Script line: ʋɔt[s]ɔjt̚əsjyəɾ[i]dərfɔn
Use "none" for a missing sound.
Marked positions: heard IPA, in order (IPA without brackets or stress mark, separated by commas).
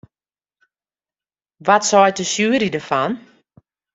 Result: s, i